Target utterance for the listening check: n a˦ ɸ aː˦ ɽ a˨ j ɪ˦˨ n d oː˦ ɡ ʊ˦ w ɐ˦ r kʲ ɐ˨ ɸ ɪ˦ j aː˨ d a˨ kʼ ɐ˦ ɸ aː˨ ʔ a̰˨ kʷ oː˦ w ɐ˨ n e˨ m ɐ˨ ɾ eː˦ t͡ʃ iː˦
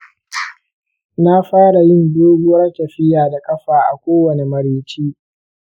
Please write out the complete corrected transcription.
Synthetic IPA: n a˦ ɸ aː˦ ɽ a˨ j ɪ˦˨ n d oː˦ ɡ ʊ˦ w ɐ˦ r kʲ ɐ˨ ɸ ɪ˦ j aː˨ d a˨ kʼ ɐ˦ ɸ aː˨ ʔ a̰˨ kʷ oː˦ w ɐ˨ n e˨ m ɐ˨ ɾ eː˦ t͡ʃ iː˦

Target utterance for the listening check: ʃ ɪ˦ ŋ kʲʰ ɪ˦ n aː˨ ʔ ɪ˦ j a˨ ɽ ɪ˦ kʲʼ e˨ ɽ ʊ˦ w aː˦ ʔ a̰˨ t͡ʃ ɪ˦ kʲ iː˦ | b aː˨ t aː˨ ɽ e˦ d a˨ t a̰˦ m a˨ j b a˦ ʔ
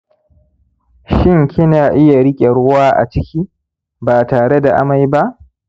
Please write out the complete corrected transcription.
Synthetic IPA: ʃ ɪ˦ ŋ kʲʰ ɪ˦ n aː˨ ʔ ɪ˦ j a˨ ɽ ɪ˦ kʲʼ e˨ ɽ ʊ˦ w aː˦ ʔ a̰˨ t͡ʃ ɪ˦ kʲ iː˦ | b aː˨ t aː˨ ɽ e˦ d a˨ ʔ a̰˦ m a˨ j b a˦ ʔ

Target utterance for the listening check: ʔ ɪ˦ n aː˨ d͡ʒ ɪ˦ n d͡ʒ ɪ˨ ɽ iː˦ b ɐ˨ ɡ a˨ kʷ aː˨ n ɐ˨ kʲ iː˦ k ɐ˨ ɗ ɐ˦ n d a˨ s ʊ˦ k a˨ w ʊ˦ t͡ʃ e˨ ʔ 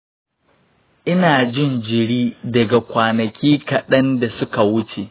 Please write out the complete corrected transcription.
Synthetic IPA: ʔ ɪ˦ n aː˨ d͡ʒ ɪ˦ n d͡ʒ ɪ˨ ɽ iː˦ d ɐ˨ ɡ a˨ kʷ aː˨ n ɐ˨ kʲ iː˦ k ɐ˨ ɗ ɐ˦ n d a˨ s ʊ˦ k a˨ w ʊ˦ t͡ʃ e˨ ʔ

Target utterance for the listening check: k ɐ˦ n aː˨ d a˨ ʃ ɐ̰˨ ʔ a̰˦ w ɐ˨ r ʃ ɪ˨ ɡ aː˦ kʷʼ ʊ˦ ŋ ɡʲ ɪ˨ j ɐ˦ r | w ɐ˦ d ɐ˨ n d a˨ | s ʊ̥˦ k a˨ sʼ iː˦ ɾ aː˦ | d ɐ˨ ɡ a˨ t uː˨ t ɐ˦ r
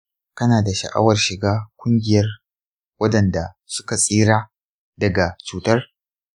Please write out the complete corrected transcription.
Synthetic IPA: k ɐ˦ n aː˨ d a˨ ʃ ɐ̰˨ ʔ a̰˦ w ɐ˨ r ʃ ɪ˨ ɡ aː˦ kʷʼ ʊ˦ ŋ ɡʲ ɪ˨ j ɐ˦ r | w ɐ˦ d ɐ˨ n d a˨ | s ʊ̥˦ k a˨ sʼ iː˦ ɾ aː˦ | d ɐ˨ ɡ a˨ t͡ʃ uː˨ t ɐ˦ r

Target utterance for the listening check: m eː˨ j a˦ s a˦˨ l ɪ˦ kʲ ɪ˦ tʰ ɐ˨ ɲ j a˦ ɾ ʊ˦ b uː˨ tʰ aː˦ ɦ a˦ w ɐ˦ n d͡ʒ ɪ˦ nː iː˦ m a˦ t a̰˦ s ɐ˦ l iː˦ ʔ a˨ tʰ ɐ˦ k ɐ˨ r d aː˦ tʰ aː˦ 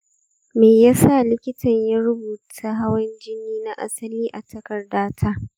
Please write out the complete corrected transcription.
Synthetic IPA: m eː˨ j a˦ s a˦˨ l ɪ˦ kʲ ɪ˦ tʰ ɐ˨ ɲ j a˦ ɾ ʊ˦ b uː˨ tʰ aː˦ ɦ a˦ w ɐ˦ n d͡ʒ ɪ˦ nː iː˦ n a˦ ʔ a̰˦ s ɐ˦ l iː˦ ʔ a˨ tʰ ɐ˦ k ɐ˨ r d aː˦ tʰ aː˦

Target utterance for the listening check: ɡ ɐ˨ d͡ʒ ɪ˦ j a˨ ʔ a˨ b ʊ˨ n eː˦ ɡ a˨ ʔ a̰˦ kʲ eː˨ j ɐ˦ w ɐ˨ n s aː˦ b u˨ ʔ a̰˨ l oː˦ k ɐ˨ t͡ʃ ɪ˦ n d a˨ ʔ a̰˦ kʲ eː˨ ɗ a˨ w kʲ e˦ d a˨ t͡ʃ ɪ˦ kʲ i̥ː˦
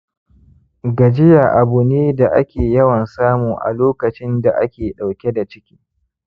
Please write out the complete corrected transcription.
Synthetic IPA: ɡ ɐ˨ d͡ʒ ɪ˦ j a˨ ʔ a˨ b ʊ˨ n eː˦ d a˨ ʔ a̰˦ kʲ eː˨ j ɐ˦ w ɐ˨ n s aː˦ m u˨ ʔ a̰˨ l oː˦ k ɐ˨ t͡ʃ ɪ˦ n d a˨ ʔ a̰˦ kʲ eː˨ ɗ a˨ w kʲ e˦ d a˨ t͡ʃ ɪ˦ kʲ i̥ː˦

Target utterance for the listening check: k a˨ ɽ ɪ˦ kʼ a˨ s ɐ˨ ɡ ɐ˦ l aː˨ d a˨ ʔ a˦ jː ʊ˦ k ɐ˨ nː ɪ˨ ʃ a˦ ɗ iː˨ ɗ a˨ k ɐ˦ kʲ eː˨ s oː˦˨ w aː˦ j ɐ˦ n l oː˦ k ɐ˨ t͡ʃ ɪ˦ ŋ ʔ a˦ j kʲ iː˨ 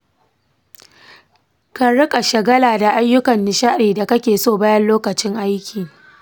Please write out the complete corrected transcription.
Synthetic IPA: k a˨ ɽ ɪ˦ kʼ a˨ ʃ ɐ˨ ɡ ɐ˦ l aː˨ d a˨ ʔ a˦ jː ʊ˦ k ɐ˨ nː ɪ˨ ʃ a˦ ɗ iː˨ d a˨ k ɐ˦ kʲ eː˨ s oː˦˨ b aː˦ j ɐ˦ n l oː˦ k ɐ˨ t͡ʃ ɪ˦ ŋ ʔ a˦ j kʲ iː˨

